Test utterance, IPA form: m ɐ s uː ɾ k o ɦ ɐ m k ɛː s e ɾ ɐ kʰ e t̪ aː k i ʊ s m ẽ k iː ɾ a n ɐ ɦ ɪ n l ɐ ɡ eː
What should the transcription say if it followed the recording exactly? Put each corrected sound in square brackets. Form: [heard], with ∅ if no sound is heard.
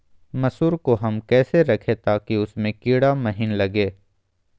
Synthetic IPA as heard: m ɐ s uː ɾ k o ɦ ɐ m k ɛː s e ɾ ɐ kʰ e t̪ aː k i ʊ s m ẽ k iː [ɽ] a [m] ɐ ɦ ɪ n l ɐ ɡ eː